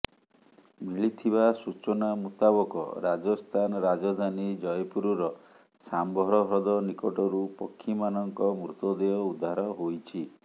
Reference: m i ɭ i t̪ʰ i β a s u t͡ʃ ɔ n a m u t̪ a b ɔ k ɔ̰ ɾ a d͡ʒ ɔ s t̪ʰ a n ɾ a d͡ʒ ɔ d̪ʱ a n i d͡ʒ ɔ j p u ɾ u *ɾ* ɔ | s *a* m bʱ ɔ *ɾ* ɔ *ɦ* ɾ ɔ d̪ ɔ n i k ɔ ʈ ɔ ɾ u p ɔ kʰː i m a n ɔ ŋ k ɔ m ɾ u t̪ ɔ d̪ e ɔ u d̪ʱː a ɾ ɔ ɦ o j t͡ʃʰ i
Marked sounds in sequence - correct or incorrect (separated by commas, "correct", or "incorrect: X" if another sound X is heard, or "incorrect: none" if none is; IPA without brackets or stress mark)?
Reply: correct, correct, correct, correct